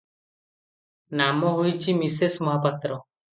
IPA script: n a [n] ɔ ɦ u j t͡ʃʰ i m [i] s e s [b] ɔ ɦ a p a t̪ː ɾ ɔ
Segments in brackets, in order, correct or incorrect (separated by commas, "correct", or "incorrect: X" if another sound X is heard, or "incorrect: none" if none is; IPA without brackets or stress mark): incorrect: m, correct, incorrect: m